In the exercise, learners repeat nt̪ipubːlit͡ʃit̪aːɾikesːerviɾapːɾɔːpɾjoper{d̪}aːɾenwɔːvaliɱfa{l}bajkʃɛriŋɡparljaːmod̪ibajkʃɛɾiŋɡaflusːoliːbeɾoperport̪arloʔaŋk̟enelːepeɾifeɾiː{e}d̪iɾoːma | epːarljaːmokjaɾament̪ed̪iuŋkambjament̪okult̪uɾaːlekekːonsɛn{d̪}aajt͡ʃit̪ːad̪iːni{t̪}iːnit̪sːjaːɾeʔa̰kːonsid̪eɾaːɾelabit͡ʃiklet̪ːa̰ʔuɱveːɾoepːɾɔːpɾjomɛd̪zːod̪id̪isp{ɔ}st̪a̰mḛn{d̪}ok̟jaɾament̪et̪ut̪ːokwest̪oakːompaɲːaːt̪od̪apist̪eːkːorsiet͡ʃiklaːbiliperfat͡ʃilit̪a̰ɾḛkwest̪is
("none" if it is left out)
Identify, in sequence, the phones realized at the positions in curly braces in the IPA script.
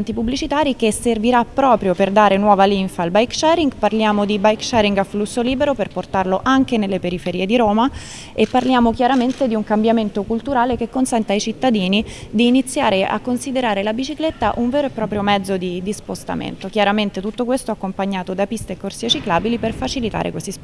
d̪, l, e, t̪, d̪, o, t̪

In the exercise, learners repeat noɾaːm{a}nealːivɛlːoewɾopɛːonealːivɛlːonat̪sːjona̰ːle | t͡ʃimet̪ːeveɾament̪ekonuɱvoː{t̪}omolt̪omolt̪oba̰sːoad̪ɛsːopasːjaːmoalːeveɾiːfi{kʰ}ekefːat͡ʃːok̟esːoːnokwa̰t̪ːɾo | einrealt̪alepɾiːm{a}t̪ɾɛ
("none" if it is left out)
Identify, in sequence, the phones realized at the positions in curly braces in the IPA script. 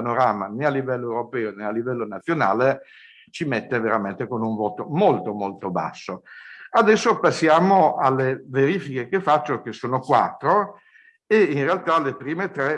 a, t̪, k, e

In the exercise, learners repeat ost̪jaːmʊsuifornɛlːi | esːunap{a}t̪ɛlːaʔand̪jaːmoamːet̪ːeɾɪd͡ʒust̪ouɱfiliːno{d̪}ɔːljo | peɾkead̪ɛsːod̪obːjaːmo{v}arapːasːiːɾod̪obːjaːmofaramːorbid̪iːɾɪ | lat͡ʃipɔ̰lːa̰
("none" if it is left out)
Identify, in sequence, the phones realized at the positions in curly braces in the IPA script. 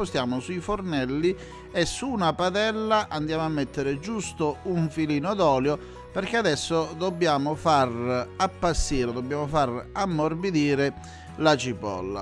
a, d̪, f

